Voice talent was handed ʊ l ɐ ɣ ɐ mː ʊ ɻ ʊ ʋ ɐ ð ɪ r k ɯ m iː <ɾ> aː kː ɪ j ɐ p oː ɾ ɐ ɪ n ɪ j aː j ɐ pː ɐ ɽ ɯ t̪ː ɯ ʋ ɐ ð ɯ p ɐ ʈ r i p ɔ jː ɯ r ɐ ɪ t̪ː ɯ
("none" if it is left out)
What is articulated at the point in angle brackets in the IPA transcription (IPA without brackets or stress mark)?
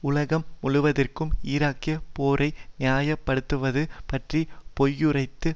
ɾ